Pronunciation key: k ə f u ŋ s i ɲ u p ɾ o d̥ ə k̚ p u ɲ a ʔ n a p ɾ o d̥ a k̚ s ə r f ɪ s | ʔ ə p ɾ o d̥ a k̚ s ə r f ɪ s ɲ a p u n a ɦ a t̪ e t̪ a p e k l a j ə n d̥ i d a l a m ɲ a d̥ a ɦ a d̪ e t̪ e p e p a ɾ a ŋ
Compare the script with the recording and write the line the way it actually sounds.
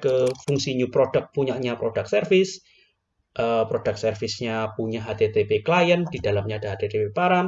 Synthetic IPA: k ə f u ŋ s i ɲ u p ɾ o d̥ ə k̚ p u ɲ a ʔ ɲ a p ɾ o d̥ a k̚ s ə r f ɪ s | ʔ ə p ɾ o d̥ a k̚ s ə r f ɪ s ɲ a p u ɲ a ɦ a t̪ e t̪ e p e k l a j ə n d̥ i d a l a m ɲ a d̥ a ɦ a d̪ e t̪ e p e p a ɾ a ŋ